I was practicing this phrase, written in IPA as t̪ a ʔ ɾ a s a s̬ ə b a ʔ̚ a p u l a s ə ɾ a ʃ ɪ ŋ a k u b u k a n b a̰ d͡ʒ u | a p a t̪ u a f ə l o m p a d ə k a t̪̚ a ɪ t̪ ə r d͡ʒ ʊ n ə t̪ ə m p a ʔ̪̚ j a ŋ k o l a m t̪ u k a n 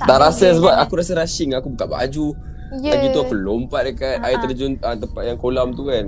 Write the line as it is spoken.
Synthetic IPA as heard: t̪ a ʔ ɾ a s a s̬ ə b a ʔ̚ a k u ɾ a s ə ɾ a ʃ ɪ ŋ a k u b u k a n b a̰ d͡ʒ u | a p i t̪ u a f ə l o m p a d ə k a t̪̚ a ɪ t̪ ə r d͡ʒ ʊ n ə t̪ ə m p a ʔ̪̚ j a ŋ k o l a m t̪ u k a n